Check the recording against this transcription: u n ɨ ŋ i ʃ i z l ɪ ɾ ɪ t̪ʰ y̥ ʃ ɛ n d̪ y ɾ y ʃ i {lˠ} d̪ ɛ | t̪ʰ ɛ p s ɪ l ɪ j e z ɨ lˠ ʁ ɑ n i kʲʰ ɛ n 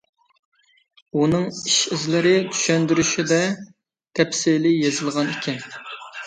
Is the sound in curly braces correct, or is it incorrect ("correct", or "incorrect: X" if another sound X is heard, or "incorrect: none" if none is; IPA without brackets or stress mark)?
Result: incorrect: none